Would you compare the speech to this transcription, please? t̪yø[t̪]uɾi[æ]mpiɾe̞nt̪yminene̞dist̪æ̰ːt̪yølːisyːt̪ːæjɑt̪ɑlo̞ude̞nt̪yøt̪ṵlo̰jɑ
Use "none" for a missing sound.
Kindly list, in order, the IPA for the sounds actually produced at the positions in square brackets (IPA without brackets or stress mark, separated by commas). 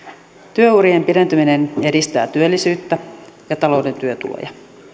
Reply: none, e